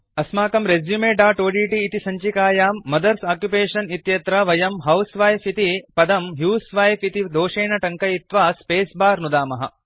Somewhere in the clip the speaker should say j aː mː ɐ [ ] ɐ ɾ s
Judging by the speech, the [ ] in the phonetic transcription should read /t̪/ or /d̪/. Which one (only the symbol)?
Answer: d̪